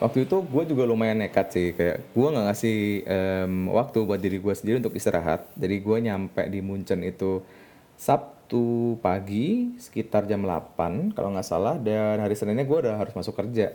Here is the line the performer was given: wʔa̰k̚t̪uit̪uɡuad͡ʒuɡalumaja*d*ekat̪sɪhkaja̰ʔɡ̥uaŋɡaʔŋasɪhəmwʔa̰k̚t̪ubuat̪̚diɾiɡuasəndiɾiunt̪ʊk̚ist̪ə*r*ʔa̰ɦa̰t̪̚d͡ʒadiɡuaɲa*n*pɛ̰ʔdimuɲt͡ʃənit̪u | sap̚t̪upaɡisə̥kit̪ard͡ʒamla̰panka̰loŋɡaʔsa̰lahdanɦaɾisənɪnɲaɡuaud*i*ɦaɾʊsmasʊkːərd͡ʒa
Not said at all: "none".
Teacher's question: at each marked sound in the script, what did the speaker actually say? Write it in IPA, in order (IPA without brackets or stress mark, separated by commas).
n, ɾ, m, a